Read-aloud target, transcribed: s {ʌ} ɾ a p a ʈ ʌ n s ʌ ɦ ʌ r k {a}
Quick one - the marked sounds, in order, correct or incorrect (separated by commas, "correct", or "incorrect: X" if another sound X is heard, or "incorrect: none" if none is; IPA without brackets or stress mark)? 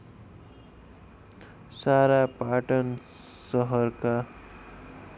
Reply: incorrect: a, correct